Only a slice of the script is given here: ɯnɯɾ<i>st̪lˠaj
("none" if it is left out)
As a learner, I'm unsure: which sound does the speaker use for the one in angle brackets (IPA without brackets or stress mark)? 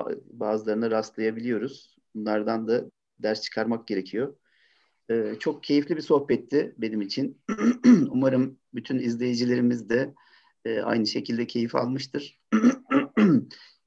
a